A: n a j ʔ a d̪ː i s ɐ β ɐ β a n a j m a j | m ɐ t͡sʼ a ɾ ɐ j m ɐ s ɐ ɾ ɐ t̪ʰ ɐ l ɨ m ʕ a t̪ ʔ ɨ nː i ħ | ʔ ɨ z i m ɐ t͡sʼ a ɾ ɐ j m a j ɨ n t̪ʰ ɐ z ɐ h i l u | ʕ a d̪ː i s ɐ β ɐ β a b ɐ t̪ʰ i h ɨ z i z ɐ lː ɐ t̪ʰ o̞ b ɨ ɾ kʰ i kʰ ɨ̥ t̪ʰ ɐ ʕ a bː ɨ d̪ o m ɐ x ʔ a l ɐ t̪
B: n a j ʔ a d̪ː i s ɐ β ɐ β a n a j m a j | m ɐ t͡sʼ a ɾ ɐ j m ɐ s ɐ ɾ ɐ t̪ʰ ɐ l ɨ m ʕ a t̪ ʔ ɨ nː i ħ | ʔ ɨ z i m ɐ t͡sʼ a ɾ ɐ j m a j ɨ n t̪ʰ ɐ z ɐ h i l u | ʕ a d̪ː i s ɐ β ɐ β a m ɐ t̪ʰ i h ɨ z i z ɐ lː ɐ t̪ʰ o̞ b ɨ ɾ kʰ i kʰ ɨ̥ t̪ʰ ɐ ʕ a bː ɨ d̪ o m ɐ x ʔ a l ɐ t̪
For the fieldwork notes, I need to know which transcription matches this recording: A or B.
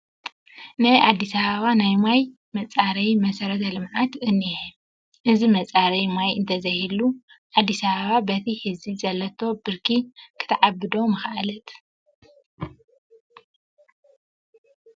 A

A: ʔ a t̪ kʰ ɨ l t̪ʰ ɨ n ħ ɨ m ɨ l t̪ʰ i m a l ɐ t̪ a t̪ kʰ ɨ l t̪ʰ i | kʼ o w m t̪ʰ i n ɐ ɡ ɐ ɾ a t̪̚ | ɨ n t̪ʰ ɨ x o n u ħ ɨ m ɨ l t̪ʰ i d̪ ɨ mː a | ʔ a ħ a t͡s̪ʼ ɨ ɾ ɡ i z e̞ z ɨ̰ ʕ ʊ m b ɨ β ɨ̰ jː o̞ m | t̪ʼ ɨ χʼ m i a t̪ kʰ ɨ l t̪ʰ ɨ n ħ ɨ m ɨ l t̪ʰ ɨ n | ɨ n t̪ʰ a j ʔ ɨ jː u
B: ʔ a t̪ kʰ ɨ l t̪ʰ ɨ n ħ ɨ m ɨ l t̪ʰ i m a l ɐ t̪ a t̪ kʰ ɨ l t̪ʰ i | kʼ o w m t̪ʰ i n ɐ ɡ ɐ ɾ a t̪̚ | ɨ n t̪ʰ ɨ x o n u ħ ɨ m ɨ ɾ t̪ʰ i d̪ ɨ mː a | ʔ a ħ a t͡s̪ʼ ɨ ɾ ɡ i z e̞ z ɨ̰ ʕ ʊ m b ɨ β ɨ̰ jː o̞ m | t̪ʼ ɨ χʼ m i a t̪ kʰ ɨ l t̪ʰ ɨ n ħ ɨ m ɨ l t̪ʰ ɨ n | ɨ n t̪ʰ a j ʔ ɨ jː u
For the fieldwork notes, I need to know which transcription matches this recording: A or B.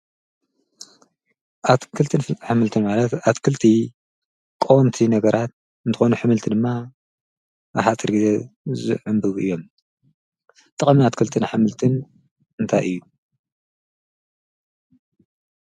A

